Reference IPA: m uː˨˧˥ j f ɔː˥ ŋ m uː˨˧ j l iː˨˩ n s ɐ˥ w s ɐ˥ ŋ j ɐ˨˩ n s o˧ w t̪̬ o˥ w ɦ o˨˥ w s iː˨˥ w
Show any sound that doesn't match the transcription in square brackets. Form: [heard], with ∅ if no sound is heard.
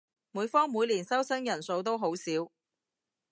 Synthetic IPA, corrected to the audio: m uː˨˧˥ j f ɔː˥ ŋ m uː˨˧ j l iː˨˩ n s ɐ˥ w s ɐ˥ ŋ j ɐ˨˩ n s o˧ w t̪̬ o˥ w ɦ o˨˥ w s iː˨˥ w